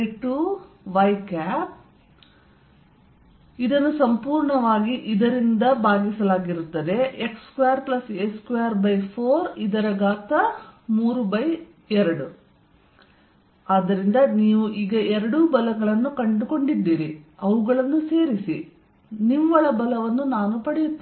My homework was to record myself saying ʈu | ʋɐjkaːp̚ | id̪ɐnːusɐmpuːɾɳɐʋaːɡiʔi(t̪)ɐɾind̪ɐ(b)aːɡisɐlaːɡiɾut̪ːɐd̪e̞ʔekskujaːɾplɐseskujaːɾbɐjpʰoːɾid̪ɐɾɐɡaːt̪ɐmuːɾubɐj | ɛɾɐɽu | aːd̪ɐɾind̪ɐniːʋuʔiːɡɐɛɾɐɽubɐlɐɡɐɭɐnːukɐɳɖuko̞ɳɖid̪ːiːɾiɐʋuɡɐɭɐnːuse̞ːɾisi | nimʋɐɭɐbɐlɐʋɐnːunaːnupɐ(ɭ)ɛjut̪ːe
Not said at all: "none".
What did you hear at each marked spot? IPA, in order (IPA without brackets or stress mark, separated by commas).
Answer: d̪, b, ɽ